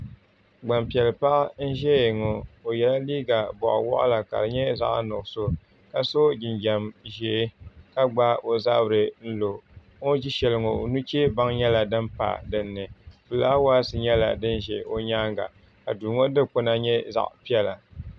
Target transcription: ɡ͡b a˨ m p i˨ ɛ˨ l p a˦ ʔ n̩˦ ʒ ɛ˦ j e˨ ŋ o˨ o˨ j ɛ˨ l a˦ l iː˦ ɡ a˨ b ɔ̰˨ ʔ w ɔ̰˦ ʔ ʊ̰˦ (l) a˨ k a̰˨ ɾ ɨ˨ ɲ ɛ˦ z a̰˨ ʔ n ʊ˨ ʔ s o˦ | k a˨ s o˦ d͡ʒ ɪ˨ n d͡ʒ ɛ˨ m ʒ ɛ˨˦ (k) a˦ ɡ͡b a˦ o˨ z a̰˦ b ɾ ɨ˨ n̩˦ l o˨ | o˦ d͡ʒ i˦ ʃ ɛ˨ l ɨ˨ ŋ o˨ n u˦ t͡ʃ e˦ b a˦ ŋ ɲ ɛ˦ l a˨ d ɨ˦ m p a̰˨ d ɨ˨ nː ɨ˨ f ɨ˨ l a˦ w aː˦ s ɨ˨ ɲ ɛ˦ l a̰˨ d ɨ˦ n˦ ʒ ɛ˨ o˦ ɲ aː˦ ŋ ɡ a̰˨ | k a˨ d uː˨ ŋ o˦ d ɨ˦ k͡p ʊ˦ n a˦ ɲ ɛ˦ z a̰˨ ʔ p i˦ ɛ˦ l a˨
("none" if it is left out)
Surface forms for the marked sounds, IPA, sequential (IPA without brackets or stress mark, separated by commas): l, k